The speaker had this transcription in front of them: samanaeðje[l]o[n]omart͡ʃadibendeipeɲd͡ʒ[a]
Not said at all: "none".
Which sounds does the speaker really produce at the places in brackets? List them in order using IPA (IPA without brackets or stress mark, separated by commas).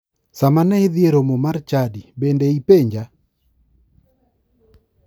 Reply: ɾ, m, a